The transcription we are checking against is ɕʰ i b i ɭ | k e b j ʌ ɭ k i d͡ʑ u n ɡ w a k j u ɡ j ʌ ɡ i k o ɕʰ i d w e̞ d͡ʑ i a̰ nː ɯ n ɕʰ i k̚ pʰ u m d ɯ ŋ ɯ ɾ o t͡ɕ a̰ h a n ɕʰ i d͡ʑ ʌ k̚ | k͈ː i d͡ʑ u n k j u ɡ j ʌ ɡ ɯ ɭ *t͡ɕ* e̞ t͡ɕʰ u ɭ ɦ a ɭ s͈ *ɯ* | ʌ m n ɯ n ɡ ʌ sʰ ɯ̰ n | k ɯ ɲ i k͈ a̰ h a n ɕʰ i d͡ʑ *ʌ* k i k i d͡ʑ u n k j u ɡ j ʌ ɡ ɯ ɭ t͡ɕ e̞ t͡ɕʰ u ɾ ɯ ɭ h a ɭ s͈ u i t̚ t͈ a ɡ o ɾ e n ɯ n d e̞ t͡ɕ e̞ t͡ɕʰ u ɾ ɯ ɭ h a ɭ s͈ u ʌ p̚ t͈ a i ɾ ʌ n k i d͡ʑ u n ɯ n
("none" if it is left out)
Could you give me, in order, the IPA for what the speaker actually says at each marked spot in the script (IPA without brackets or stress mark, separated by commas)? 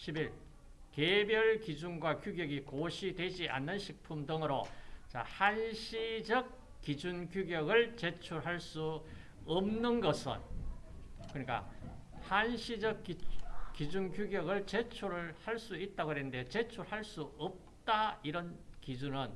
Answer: t͡ɕ, u, ʌ